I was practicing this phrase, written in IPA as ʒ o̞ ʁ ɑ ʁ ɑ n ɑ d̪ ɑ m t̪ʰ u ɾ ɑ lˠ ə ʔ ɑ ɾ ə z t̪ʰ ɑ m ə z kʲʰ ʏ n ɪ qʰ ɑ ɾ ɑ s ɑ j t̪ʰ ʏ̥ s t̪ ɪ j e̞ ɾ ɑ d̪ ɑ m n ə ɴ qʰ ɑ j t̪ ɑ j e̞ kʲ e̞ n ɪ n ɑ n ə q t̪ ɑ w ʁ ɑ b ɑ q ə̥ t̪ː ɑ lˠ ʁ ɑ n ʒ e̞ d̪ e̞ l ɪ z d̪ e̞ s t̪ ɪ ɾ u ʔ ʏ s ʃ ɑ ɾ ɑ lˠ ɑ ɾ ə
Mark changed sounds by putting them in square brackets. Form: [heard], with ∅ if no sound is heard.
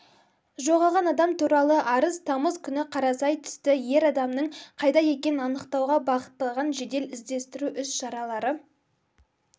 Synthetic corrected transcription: ʒ o̞ ʁ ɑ ʁ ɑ n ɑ d̪ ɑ m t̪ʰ u ɾ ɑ lˠ ə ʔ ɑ ɾ ə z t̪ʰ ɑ m ə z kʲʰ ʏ n ɪ qʰ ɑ ɾ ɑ s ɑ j t̪ʰ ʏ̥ s t̪ ɪ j e̞ ɾ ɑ d̪ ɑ m n ə ɴ qʰ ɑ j [d̪] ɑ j e̞ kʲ e̞ n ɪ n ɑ n ə q t̪ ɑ w ʁ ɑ b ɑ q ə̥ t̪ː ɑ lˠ ʁ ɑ n ʒ e̞ d̪ e̞ l ɪ z d̪ e̞ s t̪ ɪ ɾ u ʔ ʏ s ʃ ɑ ɾ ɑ lˠ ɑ ɾ ə